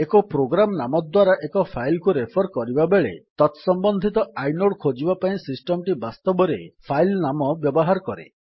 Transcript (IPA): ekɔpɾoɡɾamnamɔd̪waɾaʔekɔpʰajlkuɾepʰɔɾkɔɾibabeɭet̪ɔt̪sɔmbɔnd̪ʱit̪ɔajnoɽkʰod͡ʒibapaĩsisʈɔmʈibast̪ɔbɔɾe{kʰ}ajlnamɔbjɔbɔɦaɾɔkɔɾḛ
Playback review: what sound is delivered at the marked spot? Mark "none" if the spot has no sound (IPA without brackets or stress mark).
pʰ